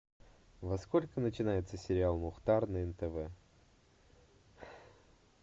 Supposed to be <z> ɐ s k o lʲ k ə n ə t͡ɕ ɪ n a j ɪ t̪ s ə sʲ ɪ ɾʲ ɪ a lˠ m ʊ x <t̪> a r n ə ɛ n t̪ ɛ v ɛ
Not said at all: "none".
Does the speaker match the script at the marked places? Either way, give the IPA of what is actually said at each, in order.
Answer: v, t̪

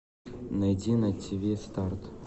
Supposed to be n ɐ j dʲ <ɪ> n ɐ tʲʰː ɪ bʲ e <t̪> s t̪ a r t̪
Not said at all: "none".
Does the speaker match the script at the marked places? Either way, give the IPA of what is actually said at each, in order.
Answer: i, none

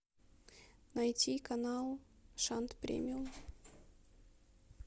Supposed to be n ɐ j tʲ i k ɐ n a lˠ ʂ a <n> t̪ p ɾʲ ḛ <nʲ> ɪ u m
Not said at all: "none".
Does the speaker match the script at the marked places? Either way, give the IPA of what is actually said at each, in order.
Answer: n, mʲ

